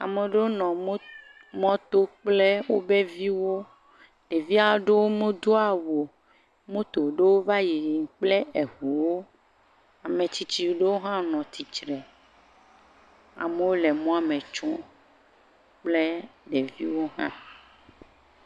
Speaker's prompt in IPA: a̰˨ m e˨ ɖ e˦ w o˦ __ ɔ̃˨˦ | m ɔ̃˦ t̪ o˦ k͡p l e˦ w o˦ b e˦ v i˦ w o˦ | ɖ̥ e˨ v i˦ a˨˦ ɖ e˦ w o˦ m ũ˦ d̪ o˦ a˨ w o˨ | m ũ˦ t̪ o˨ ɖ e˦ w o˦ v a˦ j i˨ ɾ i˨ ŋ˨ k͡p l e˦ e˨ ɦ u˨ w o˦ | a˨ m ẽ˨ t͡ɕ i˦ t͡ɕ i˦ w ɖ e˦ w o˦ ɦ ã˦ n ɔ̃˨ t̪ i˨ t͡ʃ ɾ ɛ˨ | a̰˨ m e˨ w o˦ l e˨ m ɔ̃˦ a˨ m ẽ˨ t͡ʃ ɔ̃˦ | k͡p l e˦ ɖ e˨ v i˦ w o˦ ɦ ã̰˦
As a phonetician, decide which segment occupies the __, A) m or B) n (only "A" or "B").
B